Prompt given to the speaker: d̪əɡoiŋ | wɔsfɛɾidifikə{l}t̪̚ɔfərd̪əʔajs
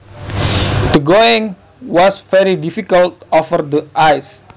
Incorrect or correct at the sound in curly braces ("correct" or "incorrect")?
correct